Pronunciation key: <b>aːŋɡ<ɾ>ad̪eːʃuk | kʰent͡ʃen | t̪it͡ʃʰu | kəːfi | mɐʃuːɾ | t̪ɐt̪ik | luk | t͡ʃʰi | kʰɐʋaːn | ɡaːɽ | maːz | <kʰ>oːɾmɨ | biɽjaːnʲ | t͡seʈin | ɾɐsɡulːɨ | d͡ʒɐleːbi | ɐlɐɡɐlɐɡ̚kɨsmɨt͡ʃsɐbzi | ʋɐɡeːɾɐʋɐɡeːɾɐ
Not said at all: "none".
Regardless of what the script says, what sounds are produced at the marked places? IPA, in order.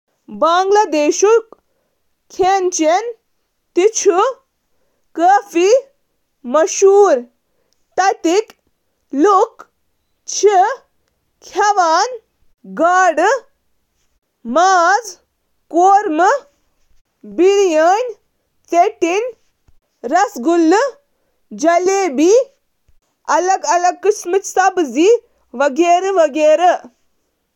b, l, k

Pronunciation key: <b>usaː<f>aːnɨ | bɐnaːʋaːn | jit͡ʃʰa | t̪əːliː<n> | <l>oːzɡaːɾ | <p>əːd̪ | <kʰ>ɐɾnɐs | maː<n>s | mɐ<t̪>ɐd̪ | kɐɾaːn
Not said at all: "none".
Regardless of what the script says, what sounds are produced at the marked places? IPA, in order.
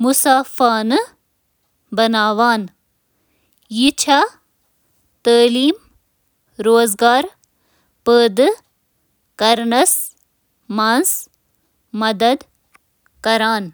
m, f, m, ɾ, p, k, n, d̪

